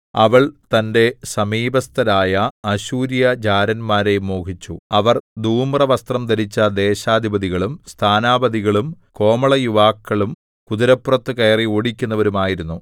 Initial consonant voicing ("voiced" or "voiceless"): voiced